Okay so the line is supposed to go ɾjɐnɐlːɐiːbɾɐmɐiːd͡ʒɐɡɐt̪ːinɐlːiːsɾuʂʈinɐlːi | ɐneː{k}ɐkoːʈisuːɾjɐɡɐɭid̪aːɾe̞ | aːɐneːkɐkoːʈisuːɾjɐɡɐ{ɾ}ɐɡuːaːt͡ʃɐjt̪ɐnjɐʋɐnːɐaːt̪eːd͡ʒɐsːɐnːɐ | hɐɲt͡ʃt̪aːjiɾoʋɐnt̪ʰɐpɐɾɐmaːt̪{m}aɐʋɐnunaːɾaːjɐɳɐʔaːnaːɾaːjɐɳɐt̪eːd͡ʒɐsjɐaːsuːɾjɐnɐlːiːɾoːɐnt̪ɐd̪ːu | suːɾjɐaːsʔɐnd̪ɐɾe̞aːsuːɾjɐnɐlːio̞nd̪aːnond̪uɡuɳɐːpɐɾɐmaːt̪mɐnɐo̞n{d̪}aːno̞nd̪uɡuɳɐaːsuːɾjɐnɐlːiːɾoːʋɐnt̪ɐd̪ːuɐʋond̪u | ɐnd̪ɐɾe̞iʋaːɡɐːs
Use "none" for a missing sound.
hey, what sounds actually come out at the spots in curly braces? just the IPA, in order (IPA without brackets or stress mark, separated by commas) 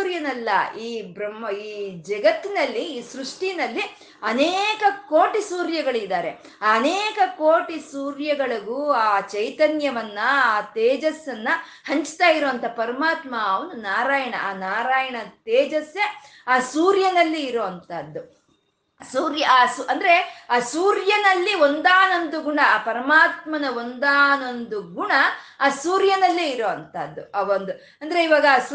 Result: k, ɭ, m, d̪